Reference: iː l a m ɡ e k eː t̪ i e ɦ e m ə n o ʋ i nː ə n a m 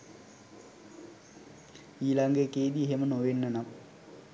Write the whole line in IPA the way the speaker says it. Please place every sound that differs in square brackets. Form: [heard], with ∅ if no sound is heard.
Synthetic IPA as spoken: iː l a [ŋ] ɡ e k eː [d̪] i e ɦ e m ə n o ʋ [e] nː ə n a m